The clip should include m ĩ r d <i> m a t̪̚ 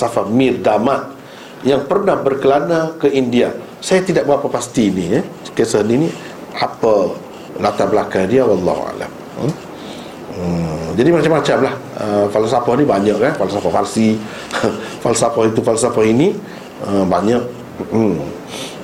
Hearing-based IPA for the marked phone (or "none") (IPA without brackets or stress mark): a